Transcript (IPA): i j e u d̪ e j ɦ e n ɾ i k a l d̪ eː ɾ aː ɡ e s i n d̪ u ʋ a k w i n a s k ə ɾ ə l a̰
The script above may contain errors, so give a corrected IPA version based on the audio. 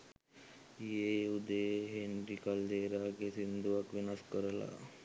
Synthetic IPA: i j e u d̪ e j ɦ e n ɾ i k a l d̪ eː ɾ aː ɡ e s i n d̪ u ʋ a k ʋ i n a s k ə ɾ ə l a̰